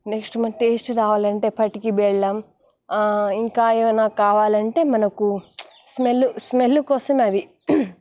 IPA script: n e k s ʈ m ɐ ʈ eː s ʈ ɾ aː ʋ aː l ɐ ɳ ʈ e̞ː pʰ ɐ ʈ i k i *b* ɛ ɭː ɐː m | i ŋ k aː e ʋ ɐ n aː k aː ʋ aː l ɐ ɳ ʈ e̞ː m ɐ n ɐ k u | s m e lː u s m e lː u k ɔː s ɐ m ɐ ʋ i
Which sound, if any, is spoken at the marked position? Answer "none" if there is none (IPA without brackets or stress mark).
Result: b